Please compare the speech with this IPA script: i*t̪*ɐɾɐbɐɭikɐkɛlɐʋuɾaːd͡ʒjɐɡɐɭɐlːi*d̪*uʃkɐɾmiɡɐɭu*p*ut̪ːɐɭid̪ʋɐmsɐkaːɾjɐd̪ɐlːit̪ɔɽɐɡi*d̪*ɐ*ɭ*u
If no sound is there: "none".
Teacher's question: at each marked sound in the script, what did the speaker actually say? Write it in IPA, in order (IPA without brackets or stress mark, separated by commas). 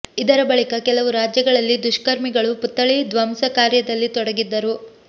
d̪, d̪, p, d̪ː, ɾ